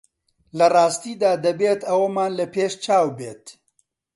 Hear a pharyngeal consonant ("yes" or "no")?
no